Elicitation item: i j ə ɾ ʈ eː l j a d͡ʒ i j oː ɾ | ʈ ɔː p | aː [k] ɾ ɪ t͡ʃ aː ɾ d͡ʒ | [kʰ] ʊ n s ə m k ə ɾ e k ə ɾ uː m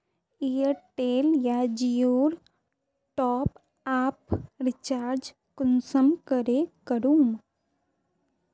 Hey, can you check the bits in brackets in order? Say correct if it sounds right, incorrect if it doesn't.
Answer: incorrect: p, incorrect: k

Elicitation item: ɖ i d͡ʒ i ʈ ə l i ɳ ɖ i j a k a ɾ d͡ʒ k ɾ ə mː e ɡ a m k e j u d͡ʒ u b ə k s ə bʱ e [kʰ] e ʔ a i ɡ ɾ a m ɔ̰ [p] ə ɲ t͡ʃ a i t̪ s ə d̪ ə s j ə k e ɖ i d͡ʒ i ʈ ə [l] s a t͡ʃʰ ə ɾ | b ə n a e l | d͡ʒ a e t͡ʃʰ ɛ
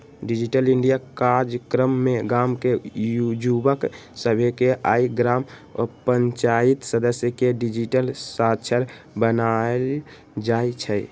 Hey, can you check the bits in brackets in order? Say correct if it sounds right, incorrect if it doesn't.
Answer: incorrect: k, correct, correct

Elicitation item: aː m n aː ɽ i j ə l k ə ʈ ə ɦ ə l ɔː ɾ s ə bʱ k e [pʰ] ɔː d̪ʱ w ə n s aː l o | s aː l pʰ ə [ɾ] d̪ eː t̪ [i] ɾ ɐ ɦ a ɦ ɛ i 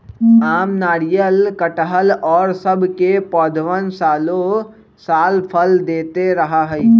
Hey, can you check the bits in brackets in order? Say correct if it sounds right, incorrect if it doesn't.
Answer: incorrect: p, incorrect: l, incorrect: e

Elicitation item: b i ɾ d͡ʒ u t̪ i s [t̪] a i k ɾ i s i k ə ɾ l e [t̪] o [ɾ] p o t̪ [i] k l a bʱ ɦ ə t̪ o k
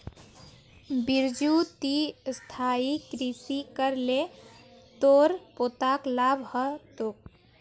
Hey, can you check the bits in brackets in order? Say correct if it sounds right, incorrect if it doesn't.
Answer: incorrect: t̪ʰ, correct, correct, incorrect: a

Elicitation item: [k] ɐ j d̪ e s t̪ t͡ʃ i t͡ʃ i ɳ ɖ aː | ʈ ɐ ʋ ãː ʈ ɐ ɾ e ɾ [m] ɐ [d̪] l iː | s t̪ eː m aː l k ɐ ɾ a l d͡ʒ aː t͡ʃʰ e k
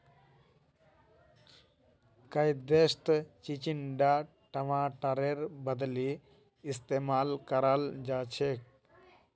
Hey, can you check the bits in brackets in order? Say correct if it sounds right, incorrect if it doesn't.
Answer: correct, incorrect: b, correct

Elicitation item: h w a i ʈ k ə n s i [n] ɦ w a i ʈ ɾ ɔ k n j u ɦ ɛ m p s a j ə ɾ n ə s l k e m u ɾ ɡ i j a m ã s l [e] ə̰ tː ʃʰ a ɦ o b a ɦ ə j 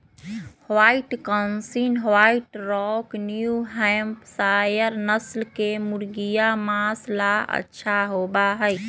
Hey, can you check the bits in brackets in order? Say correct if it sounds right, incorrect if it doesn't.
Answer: correct, incorrect: a

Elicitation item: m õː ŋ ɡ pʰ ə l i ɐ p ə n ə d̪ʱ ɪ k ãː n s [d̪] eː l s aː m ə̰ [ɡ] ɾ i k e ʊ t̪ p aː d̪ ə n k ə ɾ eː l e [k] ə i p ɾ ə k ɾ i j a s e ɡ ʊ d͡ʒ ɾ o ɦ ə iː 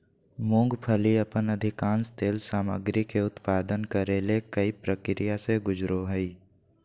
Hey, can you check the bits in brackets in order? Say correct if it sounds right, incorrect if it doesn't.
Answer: incorrect: t̪, correct, correct

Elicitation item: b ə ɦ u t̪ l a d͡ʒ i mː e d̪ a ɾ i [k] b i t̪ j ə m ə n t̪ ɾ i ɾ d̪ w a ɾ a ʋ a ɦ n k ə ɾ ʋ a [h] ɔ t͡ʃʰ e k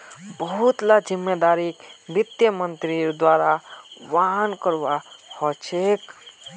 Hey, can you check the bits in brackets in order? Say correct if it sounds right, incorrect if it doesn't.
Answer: correct, correct

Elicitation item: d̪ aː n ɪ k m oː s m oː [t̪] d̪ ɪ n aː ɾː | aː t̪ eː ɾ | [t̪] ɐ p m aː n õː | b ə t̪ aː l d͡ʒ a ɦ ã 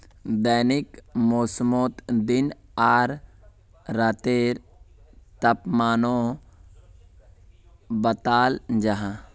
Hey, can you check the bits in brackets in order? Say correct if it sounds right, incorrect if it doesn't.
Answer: correct, correct

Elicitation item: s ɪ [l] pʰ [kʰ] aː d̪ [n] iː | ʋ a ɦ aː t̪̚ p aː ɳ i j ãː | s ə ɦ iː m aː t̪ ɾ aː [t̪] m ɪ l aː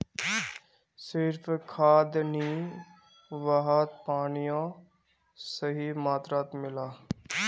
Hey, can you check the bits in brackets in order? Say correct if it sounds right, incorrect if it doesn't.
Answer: incorrect: ɾ, correct, correct, correct

